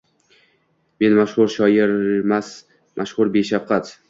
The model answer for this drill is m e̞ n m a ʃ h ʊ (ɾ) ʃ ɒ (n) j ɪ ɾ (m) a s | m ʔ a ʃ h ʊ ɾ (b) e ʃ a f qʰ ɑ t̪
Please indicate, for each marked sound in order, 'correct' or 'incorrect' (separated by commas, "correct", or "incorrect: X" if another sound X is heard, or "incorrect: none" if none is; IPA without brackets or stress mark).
correct, incorrect: none, correct, correct